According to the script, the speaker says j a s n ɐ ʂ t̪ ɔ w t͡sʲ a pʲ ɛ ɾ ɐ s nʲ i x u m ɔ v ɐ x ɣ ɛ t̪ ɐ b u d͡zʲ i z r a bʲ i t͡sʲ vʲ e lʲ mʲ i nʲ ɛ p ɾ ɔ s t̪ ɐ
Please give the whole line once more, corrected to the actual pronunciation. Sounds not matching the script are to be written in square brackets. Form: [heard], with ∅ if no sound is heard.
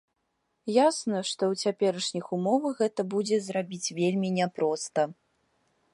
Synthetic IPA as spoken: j a s n ɐ ʂ t̪ ɔ w t͡sʲ a pʲ ɛ ɾ ɐ [ʂ] nʲ i x u m ɔ v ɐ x ɣ ɛ t̪ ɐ b u d͡zʲ [ɛ] z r a bʲ i t͡sʲ vʲ e lʲ mʲ i nʲ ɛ p ɾ ɔ s t̪ ɐ